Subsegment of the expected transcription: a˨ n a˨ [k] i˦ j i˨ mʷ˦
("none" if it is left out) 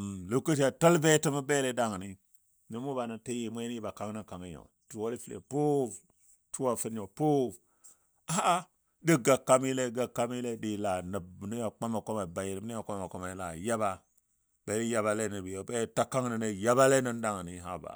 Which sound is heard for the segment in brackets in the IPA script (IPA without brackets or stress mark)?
t